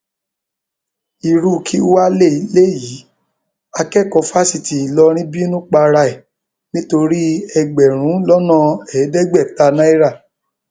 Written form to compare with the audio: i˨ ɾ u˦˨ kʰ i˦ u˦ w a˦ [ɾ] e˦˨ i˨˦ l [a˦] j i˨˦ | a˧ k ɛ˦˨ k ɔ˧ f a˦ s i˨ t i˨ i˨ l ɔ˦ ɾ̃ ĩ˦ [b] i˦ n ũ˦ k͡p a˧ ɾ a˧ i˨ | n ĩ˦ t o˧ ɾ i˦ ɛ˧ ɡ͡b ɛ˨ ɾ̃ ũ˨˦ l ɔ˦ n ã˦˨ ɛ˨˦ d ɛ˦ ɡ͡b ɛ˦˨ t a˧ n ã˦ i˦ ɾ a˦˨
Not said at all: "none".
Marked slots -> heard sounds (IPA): l, e˦, b

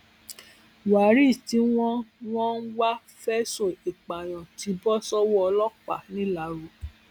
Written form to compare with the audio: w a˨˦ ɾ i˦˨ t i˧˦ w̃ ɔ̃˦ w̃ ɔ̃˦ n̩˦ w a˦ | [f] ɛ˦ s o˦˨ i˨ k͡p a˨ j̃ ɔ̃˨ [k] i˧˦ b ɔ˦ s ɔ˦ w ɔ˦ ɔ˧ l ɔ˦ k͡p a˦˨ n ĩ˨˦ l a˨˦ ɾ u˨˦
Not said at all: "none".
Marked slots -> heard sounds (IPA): f, t

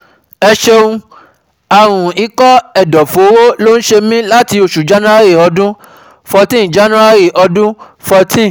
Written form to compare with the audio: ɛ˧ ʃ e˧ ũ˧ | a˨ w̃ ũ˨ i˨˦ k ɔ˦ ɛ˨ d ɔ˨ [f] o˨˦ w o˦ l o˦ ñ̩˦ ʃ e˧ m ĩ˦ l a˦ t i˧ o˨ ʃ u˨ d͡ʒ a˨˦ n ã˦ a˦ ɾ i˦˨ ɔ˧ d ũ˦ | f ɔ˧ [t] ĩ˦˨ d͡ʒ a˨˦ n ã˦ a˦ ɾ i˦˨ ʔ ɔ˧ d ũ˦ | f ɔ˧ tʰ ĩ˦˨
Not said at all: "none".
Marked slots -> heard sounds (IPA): f, t

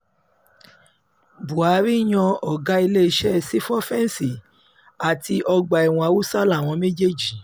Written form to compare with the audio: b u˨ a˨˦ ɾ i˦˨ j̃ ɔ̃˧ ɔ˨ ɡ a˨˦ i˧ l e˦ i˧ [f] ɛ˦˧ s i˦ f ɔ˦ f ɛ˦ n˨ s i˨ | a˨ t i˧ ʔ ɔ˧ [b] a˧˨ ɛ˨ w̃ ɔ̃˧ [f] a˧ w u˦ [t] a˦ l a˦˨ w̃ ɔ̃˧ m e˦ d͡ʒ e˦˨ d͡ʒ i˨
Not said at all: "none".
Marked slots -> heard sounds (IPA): ʃ, ɡ͡b, none, s

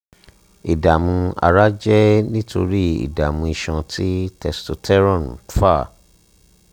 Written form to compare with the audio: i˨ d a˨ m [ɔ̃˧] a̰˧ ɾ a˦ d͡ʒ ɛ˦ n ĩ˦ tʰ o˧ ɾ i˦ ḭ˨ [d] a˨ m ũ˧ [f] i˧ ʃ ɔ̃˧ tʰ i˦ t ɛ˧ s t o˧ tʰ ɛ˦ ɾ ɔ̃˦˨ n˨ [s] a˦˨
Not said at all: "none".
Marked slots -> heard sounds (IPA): ũ˧, d, none, f

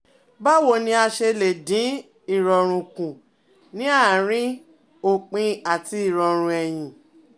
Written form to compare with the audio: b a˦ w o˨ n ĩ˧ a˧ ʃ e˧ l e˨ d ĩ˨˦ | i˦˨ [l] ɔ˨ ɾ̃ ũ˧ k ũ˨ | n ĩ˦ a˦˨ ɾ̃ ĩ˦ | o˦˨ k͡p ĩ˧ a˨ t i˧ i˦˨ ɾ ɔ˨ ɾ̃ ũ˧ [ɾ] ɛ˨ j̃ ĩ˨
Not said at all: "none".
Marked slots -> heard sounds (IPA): ɾ, none

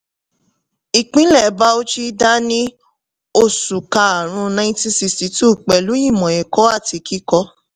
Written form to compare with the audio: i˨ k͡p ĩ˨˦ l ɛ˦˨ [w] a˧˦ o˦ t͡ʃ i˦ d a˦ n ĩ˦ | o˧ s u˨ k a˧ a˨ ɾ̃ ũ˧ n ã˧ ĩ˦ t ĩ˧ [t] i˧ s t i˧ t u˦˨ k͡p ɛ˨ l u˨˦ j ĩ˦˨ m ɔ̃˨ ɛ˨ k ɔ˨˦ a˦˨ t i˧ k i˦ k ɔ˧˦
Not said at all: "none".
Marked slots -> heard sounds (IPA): b, s

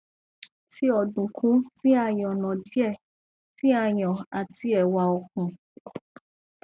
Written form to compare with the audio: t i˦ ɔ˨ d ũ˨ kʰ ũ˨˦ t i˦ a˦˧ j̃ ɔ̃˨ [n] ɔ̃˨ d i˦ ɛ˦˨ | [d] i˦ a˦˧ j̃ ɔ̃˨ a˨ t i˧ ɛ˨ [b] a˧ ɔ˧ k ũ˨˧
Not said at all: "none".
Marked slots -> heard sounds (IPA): n, t, w

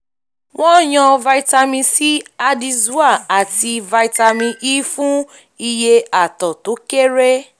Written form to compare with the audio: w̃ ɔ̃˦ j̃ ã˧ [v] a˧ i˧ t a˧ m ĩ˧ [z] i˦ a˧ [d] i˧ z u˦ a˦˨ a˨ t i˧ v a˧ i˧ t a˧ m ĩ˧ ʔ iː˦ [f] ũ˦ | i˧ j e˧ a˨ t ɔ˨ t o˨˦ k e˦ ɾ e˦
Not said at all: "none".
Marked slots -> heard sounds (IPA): v, s, d, f

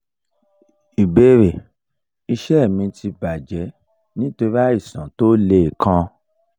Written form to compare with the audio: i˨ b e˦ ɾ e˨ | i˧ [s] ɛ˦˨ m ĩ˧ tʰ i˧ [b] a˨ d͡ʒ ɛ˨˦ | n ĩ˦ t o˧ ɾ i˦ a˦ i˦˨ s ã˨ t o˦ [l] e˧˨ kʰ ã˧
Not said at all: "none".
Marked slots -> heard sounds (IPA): ʃ, b, l

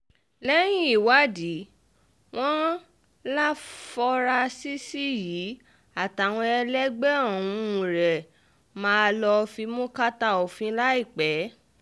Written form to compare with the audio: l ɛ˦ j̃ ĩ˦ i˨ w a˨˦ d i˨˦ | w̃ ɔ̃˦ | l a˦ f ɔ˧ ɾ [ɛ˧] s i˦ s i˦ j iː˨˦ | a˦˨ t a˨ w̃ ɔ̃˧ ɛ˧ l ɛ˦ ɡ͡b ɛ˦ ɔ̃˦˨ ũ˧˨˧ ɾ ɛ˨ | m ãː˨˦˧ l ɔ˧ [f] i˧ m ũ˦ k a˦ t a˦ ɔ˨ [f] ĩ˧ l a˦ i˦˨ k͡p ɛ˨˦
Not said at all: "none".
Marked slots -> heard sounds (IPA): a˧, f, f

